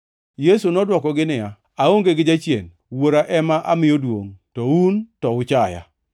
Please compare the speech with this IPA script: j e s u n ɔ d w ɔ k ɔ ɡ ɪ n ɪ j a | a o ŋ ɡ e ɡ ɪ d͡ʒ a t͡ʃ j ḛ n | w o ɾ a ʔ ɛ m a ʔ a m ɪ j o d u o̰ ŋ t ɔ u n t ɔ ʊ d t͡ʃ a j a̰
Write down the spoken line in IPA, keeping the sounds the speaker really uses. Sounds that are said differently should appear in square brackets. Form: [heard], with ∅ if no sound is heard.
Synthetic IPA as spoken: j e s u n ɔ d w ɔ k ɔ ɡ ɪ n ɪ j a | a o ŋ ɡ e ɡ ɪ d͡ʒ a t͡ʃ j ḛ n | w o ɾ a ʔ ɛ m a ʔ a m ɪ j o d [w] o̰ ŋ t ɔ u n t ɔ ʊ [∅] t͡ʃ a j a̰